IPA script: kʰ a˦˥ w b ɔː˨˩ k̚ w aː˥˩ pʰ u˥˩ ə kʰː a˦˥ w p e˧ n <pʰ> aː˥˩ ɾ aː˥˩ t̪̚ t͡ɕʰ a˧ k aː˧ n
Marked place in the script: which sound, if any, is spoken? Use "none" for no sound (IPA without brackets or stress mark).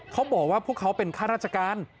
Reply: kʰ